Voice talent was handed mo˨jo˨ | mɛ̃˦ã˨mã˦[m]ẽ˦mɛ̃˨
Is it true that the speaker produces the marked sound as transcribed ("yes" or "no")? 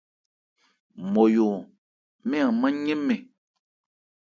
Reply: no